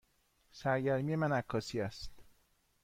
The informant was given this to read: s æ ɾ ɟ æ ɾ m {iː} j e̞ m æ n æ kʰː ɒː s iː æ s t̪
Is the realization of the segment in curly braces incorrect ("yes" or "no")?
yes